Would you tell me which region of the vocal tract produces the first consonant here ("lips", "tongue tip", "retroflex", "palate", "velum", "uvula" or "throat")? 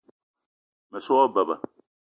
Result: lips